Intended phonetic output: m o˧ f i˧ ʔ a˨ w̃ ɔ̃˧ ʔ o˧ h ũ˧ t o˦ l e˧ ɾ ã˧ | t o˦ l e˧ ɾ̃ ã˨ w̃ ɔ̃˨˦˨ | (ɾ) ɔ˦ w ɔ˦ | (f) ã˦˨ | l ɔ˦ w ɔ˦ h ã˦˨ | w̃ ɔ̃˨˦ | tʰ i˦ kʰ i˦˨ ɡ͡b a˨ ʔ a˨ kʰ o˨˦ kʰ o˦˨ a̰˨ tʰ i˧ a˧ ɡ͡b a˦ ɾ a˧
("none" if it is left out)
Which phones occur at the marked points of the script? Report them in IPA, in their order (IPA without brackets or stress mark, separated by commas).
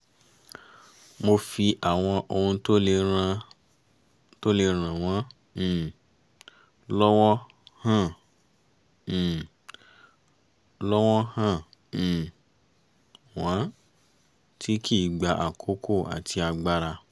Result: l, h